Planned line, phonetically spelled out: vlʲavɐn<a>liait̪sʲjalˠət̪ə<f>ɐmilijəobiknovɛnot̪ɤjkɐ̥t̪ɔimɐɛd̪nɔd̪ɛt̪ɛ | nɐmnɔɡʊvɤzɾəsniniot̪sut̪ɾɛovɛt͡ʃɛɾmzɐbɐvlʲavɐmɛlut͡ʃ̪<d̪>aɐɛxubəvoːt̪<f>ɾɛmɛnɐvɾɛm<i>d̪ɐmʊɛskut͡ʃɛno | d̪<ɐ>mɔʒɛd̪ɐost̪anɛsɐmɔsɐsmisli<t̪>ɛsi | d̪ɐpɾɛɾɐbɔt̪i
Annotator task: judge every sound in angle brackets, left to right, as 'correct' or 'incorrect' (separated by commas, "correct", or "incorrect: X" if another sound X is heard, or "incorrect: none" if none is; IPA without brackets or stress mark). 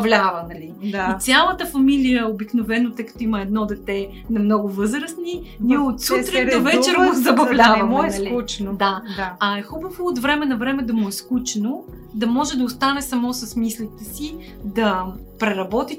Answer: incorrect: ɐ, correct, correct, incorrect: v, incorrect: ɛ, correct, correct